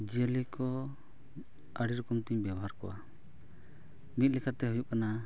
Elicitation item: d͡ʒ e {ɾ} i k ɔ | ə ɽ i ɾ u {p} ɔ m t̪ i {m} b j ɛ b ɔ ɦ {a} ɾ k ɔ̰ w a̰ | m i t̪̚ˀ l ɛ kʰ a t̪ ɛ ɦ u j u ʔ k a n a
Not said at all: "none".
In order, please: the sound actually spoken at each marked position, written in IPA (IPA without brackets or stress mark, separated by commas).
l, k, ɲ, a